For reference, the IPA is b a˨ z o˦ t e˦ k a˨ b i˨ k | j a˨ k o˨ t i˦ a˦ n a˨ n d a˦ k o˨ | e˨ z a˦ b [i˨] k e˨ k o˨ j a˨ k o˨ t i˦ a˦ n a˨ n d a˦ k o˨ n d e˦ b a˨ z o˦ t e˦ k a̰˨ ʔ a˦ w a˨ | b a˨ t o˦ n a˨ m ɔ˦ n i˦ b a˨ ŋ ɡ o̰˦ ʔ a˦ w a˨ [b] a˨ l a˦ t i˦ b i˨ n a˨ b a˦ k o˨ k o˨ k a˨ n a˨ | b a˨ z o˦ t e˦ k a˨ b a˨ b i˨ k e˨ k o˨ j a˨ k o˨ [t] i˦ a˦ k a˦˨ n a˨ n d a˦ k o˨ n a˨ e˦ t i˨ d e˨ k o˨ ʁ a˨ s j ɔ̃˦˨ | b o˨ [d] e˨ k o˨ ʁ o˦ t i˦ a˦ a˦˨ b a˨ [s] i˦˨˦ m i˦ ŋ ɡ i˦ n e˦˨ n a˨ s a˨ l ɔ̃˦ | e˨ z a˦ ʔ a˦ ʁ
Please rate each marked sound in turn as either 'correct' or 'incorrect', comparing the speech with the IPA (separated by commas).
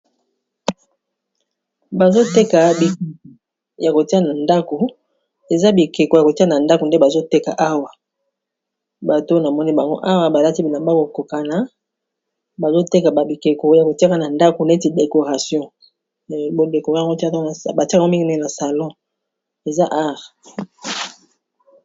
correct, correct, correct, correct, incorrect